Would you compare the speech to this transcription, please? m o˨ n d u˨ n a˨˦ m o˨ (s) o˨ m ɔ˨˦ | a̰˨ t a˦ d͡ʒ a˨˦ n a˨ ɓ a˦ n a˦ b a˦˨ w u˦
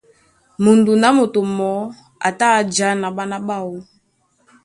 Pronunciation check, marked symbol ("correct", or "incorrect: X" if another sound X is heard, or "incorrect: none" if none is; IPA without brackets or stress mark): incorrect: t